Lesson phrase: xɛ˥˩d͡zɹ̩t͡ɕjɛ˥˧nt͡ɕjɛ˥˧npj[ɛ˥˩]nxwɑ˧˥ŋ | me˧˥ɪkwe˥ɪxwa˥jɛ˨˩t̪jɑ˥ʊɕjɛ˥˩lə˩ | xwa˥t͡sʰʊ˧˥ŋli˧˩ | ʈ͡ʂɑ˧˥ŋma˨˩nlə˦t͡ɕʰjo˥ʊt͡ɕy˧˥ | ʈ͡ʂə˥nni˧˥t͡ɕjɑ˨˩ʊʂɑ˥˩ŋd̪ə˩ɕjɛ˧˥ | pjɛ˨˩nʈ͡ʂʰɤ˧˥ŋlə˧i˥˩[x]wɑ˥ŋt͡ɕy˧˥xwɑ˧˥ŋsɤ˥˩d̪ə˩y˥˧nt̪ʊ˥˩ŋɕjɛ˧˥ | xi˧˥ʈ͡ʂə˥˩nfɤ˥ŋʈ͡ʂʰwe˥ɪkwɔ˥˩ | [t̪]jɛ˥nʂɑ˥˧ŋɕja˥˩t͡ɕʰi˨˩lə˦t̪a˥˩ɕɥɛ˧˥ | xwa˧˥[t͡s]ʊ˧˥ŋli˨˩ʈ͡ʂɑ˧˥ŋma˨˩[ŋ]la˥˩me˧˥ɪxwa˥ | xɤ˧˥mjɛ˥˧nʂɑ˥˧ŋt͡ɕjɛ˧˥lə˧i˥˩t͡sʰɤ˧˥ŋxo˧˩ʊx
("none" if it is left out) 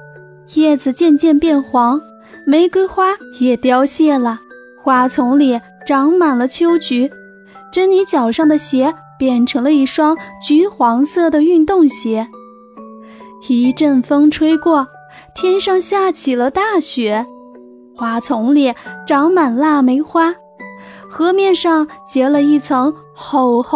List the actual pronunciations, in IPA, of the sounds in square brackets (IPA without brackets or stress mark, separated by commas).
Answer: ɛ˥˩, ʂ, t̪ʰ, t͡sʰ, n